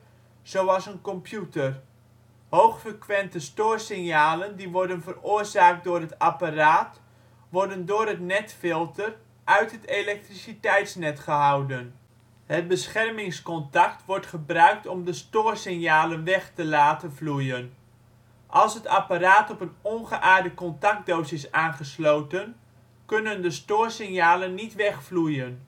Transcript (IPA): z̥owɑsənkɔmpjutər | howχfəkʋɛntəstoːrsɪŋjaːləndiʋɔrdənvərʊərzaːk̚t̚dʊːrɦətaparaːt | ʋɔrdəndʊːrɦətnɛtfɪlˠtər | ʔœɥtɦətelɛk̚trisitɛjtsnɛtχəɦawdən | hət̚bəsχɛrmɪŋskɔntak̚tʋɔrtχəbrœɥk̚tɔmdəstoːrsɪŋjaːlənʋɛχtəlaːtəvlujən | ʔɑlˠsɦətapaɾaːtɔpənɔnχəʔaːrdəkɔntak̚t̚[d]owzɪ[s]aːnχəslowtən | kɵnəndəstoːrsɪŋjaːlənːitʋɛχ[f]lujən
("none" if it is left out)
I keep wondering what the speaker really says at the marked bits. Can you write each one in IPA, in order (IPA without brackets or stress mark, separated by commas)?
d, s, f